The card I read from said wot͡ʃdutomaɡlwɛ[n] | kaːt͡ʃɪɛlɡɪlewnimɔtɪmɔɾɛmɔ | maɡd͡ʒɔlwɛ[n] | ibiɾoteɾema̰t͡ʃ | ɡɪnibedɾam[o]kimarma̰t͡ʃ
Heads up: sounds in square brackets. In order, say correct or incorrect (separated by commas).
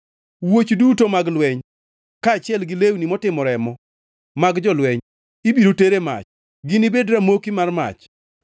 incorrect, incorrect, correct